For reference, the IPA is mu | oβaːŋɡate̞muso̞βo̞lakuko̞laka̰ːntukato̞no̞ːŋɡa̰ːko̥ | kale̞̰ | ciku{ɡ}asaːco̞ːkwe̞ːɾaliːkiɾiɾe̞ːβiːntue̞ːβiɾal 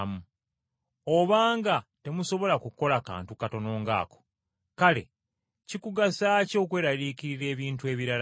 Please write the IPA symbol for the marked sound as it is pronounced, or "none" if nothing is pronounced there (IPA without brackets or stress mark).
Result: ɡ